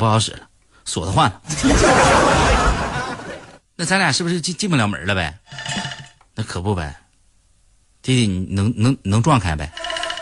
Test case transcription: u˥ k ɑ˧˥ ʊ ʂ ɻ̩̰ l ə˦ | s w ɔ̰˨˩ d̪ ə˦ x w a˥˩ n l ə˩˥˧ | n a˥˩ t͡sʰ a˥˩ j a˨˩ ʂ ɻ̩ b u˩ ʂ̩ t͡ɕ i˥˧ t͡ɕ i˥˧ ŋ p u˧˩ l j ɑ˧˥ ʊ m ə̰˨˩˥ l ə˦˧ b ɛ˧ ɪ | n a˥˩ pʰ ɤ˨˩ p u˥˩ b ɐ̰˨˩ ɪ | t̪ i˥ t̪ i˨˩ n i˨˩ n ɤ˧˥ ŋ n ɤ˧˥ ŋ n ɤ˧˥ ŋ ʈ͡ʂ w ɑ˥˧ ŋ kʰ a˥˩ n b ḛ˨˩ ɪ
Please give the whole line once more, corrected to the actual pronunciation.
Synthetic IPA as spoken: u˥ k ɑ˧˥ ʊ ʂ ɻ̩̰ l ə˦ | s w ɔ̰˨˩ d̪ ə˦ x w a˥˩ n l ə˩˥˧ | n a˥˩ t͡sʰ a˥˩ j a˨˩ ʂ ɻ̩ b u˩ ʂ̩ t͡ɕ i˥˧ t͡ɕ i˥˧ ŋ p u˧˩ l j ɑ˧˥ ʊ m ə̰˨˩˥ l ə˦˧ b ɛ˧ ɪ | n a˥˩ kʰ ɤ˨˩ p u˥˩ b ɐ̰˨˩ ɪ | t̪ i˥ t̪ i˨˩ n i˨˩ n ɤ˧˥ ŋ n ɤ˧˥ ŋ n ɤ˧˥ ŋ ʈ͡ʂ w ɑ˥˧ ŋ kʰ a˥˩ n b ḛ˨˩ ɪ